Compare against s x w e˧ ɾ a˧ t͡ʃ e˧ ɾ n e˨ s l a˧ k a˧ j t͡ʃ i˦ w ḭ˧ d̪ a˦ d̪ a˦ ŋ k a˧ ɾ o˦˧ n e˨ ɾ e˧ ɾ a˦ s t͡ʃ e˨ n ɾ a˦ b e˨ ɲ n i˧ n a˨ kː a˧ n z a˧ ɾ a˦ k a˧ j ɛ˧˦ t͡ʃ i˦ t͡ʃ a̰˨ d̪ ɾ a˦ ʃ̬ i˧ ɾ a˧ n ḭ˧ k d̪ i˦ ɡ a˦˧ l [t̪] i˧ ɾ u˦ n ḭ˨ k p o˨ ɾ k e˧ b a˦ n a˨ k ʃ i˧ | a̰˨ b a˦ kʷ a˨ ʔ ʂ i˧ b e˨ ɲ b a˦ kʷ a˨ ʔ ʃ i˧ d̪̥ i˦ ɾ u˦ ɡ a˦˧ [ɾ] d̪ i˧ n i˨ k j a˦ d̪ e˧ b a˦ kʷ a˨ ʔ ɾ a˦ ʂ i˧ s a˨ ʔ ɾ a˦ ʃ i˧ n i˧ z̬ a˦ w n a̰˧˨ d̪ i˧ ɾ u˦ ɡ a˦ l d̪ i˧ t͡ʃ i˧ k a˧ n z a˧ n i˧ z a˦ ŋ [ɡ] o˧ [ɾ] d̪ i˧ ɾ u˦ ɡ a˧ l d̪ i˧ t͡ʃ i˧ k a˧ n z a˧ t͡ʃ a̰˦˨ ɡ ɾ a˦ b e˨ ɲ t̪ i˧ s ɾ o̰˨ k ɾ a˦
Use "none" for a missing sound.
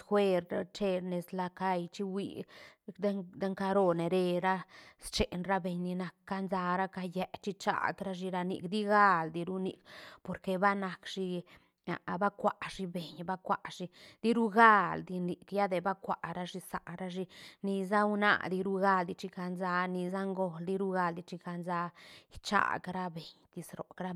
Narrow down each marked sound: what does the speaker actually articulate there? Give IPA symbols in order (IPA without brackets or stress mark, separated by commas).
d̪, l, ɡ, l